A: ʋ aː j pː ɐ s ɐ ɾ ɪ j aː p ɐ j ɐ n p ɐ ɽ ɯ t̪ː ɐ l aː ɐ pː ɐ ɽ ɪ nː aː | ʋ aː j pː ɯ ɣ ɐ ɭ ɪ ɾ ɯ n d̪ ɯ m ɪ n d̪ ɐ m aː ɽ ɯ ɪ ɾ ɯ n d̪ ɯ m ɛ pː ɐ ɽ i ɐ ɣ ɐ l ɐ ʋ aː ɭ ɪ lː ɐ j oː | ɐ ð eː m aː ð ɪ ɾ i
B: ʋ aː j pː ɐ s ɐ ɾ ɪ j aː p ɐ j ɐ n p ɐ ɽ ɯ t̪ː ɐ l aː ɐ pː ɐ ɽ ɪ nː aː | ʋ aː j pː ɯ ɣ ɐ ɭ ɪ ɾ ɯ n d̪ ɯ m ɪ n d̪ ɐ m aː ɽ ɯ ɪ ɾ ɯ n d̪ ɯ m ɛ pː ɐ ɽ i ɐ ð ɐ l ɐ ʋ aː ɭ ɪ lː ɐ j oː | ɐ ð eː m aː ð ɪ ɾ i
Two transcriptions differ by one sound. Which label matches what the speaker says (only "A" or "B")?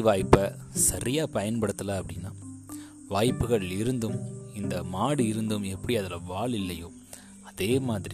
B